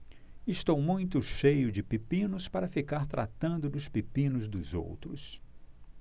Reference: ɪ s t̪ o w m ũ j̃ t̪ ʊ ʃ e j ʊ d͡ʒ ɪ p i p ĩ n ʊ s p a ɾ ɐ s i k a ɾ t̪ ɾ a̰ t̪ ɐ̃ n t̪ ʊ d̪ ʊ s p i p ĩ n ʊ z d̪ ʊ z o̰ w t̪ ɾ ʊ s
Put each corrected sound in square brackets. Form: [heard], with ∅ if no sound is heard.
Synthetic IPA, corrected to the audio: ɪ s t̪ o w m ũ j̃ t̪ ʊ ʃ e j ʊ d͡ʒ ɪ p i p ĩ n ʊ s p a ɾ ɐ [f] i k a ɾ t̪ ɾ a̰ t̪ ɐ̃ n [d̪] ʊ d̪ ʊ s p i p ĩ n ʊ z d̪ ʊ z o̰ w t̪ ɾ ʊ s